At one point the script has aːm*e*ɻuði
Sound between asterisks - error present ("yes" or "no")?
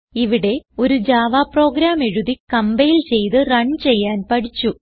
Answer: no